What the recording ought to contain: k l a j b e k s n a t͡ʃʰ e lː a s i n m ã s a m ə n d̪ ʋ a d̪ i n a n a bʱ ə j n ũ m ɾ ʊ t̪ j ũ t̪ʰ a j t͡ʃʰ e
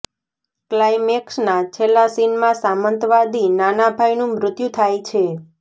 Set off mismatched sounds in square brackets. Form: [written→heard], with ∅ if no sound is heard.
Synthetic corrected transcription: k l a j [b→m] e k s n a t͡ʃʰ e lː a s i n m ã s a m ə n [d̪→t̪] ʋ a d̪ i n a n a bʱ [ə→a] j n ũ m ɾ ʊ t̪ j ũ t̪ʰ a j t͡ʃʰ e